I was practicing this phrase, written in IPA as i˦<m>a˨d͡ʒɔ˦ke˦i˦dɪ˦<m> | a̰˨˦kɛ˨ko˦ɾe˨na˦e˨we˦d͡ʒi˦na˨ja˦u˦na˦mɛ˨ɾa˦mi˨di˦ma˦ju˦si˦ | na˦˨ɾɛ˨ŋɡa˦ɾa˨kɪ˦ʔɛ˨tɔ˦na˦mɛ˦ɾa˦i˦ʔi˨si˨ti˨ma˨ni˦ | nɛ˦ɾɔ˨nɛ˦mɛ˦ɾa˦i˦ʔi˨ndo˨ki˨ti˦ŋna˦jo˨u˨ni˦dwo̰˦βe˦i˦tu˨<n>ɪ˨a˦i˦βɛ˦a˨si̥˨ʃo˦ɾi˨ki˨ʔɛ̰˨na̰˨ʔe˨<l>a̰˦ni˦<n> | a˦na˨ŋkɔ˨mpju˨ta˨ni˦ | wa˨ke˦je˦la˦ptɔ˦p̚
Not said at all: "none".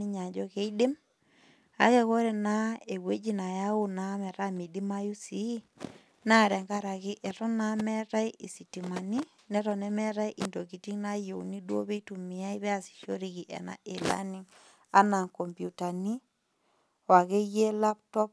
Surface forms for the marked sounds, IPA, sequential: ɲ, m, m, l, ŋ

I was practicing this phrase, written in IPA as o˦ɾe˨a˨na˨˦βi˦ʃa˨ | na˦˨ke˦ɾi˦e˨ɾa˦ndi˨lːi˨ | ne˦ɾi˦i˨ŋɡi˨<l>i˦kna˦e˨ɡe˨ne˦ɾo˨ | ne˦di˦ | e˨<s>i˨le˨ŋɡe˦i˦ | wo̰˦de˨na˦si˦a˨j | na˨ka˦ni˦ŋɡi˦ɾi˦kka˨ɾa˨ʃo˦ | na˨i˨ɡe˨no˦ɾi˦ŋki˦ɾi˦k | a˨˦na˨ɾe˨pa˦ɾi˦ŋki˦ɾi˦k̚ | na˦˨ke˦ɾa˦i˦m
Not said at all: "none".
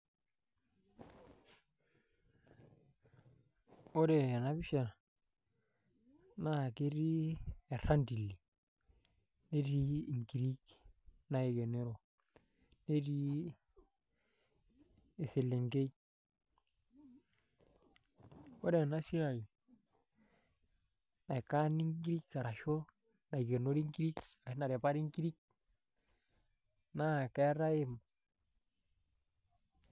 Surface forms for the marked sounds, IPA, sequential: ɾ, s

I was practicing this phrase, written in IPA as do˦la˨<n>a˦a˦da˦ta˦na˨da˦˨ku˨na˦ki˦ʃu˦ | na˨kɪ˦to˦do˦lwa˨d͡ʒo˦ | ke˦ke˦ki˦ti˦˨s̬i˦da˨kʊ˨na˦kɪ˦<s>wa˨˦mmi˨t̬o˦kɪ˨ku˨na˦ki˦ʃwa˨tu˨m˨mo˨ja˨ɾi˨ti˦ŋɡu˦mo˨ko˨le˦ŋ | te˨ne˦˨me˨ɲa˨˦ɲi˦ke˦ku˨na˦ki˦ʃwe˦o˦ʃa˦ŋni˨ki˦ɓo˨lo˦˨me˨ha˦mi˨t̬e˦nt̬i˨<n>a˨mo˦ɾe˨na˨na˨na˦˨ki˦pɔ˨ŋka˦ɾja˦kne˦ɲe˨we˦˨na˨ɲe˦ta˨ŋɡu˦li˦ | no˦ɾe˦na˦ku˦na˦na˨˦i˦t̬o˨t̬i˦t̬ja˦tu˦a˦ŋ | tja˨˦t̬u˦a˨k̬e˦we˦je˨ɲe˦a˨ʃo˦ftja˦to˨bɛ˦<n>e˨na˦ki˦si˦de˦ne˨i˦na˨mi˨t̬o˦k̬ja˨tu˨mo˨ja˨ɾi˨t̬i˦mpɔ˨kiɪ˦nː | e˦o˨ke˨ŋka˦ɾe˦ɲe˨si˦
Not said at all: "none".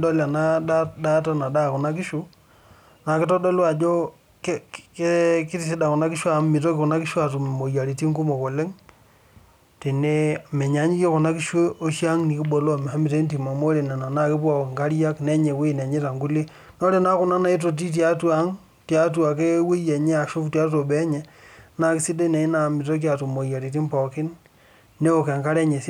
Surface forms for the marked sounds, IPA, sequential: n, ʃ, m, ɲ

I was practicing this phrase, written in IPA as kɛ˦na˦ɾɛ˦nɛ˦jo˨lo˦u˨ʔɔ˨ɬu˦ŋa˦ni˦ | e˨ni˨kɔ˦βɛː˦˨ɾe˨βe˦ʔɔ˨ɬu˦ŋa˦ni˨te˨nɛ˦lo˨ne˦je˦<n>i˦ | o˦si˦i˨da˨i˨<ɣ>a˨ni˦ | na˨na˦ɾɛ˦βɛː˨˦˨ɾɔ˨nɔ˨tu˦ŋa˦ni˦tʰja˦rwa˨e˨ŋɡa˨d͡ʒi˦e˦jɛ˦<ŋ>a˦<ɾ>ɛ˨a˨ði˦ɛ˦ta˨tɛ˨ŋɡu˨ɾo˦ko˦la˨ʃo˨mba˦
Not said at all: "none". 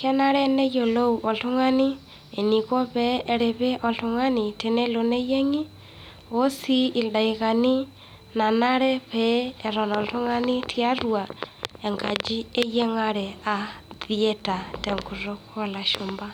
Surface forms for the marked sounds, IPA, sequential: ŋ, ɣ, ŋ, ɾ

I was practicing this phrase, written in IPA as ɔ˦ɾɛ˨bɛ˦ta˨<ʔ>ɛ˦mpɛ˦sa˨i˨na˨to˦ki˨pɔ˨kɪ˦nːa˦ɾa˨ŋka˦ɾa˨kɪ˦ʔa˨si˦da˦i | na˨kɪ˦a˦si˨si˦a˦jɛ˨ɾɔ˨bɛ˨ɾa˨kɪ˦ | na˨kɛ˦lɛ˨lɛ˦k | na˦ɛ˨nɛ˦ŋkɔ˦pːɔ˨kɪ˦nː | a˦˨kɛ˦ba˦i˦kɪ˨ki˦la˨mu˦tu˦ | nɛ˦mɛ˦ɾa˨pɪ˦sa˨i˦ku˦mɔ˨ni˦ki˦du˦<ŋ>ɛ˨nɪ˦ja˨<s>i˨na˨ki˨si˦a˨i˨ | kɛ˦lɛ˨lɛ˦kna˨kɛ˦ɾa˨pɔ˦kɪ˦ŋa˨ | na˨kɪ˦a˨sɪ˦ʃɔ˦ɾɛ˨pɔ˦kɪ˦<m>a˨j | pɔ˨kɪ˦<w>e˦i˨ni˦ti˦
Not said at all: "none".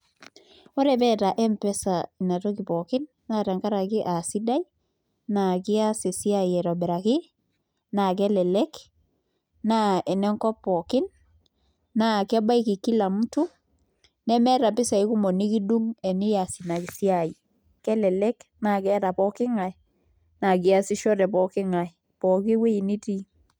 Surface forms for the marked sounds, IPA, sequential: ʔ, ŋ, s, ŋ, w

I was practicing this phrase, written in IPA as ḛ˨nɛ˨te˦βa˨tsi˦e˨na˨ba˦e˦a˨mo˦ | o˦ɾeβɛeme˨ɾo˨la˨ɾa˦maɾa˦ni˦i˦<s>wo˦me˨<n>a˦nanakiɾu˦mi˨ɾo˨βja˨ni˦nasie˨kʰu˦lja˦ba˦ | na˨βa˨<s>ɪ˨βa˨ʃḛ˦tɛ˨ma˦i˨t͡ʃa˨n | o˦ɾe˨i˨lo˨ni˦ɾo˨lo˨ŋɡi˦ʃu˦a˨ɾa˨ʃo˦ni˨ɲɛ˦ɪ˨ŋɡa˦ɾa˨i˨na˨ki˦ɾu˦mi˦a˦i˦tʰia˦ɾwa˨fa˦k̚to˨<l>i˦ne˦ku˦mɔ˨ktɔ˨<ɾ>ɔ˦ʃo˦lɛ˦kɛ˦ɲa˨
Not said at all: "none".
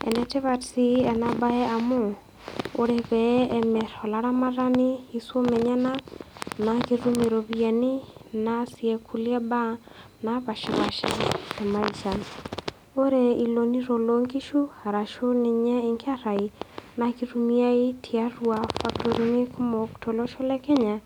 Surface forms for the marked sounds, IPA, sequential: s, ɲ, ʃ, ɾ, l

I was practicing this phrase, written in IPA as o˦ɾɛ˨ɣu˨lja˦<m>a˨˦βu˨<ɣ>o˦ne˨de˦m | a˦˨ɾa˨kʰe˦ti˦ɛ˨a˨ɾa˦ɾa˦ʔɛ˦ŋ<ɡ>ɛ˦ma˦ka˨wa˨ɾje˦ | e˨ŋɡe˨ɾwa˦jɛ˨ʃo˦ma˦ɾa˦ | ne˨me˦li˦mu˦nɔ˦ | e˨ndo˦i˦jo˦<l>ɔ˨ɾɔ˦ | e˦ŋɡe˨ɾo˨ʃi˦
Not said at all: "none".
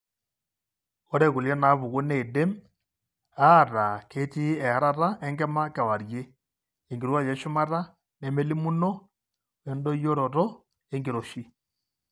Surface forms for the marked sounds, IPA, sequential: n, ɣ, ɡ, ɾ

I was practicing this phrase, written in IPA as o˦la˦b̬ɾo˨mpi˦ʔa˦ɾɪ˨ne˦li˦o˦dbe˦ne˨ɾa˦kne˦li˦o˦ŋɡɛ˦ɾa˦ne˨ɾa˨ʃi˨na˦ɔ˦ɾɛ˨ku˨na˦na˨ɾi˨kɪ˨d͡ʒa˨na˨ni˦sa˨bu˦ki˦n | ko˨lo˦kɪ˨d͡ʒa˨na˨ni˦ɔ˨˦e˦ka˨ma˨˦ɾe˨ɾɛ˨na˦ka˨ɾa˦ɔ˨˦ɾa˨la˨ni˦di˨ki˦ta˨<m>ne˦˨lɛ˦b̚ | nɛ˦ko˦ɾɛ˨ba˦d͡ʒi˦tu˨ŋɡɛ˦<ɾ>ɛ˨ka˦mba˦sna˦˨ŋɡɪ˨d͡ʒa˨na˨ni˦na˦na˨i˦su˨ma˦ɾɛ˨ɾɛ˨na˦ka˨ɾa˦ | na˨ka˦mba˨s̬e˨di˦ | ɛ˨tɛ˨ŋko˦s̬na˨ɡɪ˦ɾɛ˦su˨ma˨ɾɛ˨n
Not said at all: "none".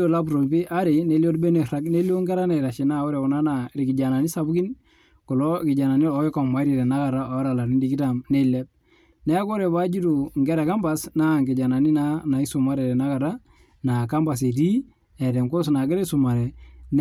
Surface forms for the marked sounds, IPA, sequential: m, ɾ

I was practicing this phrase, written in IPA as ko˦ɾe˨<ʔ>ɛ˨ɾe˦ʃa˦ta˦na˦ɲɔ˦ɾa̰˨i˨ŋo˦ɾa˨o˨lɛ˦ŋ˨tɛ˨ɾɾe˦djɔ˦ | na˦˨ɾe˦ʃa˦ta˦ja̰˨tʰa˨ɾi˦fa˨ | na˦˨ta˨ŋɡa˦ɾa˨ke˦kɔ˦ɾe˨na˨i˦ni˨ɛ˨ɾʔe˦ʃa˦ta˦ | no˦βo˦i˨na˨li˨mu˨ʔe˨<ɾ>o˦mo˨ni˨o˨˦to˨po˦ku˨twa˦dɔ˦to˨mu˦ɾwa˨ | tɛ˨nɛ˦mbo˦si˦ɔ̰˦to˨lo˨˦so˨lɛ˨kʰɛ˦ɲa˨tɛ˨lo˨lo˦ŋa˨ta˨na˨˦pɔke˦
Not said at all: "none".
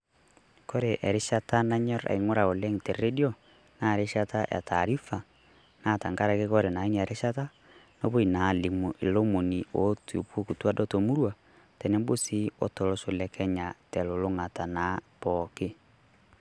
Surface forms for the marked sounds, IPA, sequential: ʔ, l

